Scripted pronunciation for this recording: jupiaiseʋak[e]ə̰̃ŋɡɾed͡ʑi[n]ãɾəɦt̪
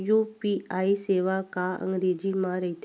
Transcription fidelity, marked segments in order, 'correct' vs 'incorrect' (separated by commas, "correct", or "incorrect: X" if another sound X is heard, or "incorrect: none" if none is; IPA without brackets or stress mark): incorrect: a, incorrect: m